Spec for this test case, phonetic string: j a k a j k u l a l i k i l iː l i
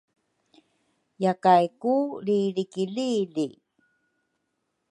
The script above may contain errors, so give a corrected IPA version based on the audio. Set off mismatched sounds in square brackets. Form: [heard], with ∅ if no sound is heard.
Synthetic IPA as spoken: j a k a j k u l [i] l i k i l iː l i